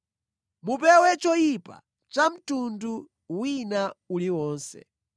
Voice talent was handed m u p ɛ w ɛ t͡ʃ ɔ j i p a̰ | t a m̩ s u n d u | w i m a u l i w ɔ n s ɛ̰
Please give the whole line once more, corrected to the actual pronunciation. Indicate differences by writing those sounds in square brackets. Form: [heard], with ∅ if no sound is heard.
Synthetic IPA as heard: m u p ɛ w ɛ t͡ʃ ɔ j i p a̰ | [t͡ʃ] a m̩ [t] u n d u | w i [n] a u l i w [ɔː] n s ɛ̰